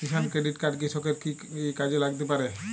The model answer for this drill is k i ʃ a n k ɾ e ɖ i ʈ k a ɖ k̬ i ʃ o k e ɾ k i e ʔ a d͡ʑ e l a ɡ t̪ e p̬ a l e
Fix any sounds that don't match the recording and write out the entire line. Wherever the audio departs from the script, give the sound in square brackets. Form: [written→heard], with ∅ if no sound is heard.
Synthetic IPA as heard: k i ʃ a n k ɾ e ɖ i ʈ k a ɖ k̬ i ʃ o k e ɾ k i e [ʔ→k] a d͡ʑ e l a ɡ t̪ e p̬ a [l→ɾ] e